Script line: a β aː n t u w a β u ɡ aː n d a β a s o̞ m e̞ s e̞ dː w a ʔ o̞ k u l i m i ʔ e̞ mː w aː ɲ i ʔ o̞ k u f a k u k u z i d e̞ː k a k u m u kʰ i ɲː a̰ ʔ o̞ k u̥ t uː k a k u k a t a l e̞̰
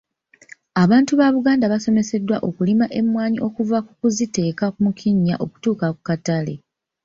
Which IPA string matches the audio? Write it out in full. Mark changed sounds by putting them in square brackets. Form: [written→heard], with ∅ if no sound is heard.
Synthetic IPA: a β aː n t u [w→β] a β u ɡ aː n d a β a s o̞ m e̞ s e̞ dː w a ʔ o̞ k u l i m [i→a] ʔ e̞ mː w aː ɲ i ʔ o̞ k u [f→v] a k u k u z i [d→t] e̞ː k a k u m u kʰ i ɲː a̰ ʔ o̞ k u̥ t uː k a k u k a t a l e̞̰